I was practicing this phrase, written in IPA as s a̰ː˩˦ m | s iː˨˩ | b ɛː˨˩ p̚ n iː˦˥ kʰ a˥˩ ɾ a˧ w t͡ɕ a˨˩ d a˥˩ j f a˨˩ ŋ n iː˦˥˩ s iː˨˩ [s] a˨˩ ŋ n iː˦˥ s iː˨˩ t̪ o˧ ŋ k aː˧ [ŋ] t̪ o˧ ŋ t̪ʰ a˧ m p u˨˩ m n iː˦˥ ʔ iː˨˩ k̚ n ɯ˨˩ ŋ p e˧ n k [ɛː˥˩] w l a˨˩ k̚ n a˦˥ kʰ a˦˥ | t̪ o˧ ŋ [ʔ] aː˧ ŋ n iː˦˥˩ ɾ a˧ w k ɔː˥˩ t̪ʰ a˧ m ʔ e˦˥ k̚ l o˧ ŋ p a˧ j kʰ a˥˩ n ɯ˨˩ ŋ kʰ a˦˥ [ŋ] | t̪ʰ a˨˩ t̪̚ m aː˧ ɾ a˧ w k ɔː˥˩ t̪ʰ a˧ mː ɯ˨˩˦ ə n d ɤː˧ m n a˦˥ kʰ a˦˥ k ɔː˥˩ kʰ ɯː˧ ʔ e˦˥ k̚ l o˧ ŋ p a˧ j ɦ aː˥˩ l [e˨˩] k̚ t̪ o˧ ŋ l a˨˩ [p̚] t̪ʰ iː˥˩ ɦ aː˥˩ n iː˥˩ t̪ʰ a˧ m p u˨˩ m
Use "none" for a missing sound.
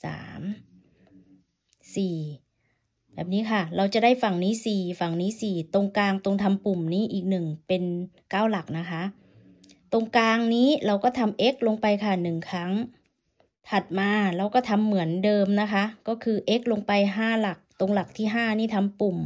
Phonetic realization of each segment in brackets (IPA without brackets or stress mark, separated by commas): f, ŋ, aː˥˩, k, ŋ, a˨˩, k̚